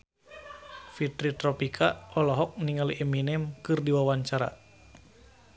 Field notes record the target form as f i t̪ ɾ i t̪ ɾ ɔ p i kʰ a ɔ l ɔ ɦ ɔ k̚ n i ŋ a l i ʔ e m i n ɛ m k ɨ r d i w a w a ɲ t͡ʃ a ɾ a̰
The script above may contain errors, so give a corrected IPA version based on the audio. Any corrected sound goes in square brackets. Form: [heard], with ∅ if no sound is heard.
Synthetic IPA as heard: f i t̪ ɾ i t̪ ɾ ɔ p i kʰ a ɔ l ɔ ɦ ɔ k̚ n i ŋ a l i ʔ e m i n ɛ m k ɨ r d i w a w a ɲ t͡ʃ a ɾ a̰